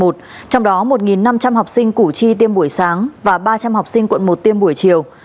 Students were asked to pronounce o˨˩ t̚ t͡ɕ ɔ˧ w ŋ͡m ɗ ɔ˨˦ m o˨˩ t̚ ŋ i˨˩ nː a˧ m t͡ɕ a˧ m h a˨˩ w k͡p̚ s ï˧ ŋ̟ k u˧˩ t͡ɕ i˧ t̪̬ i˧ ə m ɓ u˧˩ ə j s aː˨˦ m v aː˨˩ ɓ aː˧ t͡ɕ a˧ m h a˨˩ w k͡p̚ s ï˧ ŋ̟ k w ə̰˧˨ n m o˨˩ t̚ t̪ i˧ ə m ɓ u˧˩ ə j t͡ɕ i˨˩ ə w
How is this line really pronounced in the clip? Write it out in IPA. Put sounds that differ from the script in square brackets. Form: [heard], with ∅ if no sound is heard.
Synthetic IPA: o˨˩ t̚ t͡ɕ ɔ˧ w ŋ͡m ɗ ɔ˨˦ m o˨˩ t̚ ŋ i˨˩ nː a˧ m t͡ɕ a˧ m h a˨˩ w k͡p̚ s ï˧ ŋ̟ k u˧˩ t͡ɕ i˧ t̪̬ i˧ ə m ɓ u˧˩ ə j s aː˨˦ [ŋ] v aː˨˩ ɓ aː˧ t͡ɕ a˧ m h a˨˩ w k͡p̚ s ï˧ ŋ̟ k w ə̰˧˨ n m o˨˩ t̚ t̪ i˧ ə m ɓ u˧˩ ə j t͡ɕ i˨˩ ə w